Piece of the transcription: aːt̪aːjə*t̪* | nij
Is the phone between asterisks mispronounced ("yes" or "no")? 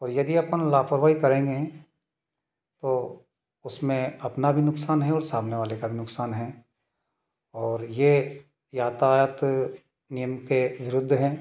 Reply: no